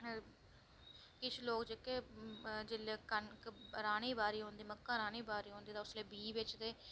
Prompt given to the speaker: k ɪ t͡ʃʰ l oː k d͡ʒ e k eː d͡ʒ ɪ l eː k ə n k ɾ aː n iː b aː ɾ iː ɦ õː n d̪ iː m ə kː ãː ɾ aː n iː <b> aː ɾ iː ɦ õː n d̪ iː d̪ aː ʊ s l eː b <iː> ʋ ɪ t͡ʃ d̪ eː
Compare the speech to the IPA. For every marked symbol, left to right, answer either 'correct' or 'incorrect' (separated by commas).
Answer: correct, correct